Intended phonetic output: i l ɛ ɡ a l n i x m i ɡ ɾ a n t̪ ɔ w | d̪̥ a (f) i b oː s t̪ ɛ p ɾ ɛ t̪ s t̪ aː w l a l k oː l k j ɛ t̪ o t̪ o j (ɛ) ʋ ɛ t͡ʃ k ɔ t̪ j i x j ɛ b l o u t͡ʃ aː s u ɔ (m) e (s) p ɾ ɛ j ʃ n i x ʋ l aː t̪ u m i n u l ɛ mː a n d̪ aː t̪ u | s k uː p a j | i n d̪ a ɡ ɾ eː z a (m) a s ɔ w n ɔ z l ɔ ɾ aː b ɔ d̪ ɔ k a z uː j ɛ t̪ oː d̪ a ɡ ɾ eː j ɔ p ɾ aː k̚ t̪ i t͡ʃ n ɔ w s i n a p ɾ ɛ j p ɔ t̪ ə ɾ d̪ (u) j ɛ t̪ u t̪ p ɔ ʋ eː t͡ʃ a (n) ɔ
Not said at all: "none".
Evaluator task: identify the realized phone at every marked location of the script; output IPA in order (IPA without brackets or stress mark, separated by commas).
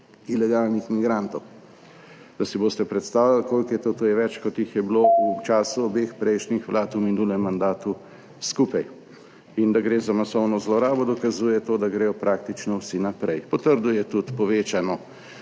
s, ɛ, b, x, m, u, n